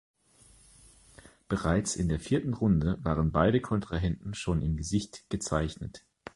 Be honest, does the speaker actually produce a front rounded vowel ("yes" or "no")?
no